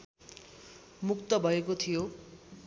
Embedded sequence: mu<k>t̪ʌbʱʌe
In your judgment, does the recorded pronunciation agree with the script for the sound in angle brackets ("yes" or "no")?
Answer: yes